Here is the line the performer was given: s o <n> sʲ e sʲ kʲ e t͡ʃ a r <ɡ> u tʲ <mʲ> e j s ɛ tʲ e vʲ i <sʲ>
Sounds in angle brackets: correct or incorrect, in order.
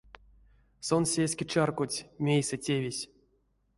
correct, incorrect: k, correct, correct

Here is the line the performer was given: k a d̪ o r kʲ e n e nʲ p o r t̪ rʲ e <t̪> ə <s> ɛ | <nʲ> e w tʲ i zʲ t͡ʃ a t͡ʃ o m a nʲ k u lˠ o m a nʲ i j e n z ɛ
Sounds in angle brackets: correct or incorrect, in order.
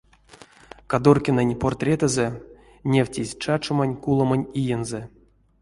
correct, incorrect: z, correct

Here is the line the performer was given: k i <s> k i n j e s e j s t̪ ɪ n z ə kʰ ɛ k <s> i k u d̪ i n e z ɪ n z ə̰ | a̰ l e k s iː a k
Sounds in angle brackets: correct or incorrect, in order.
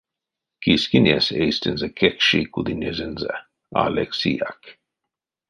correct, incorrect: ʃ

